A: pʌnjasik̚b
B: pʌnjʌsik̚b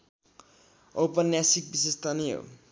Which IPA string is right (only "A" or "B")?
A